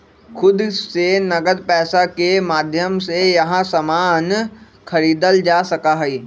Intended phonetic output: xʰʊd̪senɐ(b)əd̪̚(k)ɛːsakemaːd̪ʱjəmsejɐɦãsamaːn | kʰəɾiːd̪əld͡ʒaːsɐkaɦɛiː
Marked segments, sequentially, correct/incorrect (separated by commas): incorrect, incorrect